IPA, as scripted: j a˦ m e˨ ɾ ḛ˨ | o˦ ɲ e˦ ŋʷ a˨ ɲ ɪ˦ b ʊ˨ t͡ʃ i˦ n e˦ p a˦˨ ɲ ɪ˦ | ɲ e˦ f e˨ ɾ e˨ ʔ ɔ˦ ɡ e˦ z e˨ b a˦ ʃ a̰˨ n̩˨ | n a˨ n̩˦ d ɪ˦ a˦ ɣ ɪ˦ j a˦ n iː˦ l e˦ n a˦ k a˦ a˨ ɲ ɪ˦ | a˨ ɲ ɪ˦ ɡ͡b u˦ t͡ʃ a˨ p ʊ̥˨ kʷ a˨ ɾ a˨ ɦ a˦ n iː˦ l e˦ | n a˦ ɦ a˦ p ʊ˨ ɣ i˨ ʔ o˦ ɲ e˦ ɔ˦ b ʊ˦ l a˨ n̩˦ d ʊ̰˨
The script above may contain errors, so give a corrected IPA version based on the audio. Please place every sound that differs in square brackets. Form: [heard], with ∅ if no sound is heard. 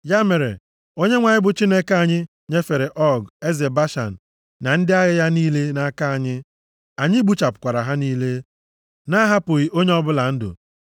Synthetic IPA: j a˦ m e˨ ɾ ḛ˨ | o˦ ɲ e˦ ŋʷ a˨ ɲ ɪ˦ b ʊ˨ t͡ʃ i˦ n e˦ [k] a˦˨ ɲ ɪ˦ | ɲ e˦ f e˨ ɾ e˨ ʔ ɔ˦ ɡ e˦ z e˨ b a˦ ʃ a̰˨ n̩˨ | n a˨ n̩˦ d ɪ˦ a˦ ɣ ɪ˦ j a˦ n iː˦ l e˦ n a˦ k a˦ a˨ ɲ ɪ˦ | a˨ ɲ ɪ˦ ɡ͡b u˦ t͡ʃ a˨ p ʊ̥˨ kʷ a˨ ɾ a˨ ɦ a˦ n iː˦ l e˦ | n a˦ ɦ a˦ p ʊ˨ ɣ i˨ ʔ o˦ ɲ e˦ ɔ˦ b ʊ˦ l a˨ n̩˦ d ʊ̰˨